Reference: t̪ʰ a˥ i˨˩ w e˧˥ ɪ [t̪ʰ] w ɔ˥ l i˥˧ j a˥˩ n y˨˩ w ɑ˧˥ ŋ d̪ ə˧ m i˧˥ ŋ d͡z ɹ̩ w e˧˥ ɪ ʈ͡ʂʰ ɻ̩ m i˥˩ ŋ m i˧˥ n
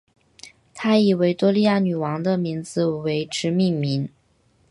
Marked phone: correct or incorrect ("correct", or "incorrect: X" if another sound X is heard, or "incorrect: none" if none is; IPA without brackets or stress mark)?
incorrect: t̪